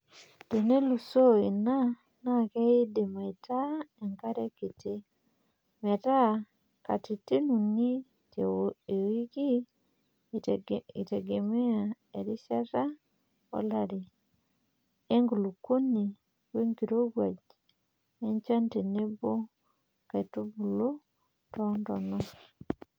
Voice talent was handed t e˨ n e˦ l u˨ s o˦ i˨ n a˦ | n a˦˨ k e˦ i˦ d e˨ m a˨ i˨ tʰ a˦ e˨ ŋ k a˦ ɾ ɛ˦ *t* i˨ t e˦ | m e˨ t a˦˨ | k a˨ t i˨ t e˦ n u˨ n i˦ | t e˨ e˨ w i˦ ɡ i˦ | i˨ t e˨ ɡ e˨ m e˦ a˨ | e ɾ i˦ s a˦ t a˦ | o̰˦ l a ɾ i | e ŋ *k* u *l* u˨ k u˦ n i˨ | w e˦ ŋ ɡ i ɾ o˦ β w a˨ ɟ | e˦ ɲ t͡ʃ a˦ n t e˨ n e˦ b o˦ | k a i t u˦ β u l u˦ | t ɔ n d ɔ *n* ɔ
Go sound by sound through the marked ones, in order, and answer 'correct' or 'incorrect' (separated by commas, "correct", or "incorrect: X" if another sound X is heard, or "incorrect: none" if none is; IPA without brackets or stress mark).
incorrect: k, incorrect: ɡ, correct, correct